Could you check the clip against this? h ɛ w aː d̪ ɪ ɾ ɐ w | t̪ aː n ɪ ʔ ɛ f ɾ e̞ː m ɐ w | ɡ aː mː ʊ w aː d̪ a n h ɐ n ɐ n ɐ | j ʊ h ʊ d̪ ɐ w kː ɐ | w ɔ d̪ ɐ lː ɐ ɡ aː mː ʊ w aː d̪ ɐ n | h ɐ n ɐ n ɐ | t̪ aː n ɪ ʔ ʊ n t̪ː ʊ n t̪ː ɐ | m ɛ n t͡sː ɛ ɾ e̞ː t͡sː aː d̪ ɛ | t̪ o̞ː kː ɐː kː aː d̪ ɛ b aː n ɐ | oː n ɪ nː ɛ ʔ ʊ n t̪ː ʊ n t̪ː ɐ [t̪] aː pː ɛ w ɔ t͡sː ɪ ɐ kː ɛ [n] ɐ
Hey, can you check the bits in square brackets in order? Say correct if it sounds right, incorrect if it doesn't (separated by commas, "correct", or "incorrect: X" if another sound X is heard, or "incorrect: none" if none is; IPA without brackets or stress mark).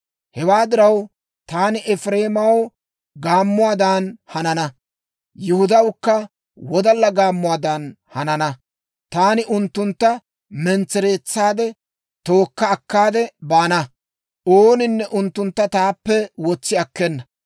correct, incorrect: nː